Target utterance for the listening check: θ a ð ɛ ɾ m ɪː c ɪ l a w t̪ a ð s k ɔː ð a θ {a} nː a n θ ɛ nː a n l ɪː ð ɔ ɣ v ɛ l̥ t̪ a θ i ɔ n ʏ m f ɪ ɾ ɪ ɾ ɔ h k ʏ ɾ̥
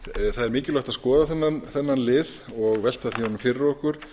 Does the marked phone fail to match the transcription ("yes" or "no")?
yes